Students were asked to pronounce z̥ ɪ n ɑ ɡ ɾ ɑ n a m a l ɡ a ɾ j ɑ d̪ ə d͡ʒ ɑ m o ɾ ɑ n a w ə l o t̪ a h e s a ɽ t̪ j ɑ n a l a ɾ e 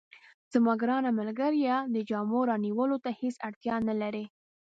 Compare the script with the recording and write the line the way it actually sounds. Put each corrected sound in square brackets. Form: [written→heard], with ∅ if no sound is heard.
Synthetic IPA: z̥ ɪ [n→m] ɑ ɡ ɾ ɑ n a m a l ɡ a ɾ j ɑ d̪ ə d͡ʒ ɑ m o ɾ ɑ n [a→i] w ə l o t̪ a h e s a ɽ t̪ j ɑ n a l a ɾ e

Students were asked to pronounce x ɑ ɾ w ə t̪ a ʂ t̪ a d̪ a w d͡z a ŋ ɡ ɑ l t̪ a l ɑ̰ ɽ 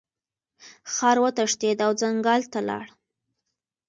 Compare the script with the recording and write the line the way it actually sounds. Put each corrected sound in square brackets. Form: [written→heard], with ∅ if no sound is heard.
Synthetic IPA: x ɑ ɾ w ə t̪ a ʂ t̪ [a→e] d̪ a w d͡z a ŋ ɡ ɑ l t̪ a l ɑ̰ ɽ

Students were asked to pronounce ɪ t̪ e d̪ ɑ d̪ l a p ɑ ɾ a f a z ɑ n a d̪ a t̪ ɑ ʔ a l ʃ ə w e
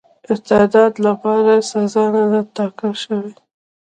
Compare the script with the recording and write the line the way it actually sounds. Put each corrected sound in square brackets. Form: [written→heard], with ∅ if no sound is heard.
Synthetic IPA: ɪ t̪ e d̪ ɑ d̪ l a p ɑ ɾ a [f→s] a z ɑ n a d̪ a t̪ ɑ [ʔ→k] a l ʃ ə w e

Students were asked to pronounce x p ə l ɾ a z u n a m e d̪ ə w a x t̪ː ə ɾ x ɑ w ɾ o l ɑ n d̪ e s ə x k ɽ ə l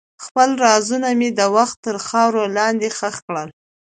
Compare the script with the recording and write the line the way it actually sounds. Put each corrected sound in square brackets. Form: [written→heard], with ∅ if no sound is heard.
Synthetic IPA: x p ə l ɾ [a→ɑ] z u n a m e d̪ ə w a x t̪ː ə ɾ x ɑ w ɾ o l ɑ n d̪ e [s→x] ə x k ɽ ə l

